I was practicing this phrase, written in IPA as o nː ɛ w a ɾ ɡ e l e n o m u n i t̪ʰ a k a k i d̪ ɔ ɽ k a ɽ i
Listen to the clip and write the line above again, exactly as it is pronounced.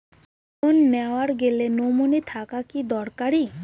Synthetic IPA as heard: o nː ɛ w a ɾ ɡ e l e n o m u n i t̪ʰ a k a k i d̪ ɔ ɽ k a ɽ i